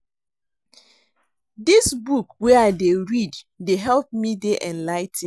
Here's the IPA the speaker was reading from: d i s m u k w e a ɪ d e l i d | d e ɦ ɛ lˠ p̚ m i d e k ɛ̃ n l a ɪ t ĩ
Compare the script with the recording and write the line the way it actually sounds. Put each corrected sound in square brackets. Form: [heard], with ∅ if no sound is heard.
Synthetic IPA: d i s [b] u k w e a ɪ d e [ɹ] i d | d e ɦ ɛ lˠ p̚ m i d e [ʔ] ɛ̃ n l a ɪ t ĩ